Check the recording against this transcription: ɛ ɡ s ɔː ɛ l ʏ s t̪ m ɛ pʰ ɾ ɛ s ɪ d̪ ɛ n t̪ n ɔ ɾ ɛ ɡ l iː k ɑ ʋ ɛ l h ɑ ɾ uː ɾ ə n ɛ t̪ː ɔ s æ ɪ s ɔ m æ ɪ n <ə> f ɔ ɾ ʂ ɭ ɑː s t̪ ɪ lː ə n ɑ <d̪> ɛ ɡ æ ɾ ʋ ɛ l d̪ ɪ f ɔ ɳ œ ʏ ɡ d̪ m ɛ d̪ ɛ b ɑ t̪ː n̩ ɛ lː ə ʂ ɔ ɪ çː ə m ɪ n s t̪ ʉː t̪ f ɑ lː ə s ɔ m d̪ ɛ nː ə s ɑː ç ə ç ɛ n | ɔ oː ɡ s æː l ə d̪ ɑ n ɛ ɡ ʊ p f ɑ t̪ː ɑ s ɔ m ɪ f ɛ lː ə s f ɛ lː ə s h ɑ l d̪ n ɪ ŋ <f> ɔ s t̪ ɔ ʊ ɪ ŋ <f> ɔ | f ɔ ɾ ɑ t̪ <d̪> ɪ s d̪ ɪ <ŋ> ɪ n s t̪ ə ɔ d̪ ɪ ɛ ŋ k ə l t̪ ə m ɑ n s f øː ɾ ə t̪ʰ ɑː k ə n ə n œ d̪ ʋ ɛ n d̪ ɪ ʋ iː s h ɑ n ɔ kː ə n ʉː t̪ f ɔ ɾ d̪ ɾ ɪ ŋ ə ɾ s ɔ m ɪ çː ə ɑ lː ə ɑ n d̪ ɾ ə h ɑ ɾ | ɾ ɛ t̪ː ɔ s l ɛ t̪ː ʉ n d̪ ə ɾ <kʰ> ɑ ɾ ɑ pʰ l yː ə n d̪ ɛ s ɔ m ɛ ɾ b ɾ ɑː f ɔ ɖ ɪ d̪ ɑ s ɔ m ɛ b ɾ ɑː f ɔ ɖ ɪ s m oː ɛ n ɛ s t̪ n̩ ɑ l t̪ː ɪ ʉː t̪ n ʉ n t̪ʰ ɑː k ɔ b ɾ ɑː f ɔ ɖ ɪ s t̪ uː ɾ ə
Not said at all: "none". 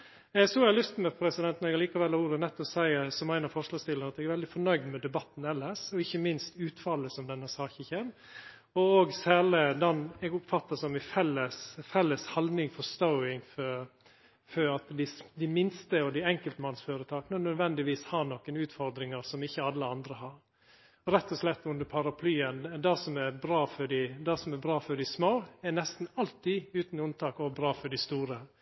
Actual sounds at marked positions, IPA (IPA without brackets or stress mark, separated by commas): ɑ, t̪, f, f, d̪, m, pʰ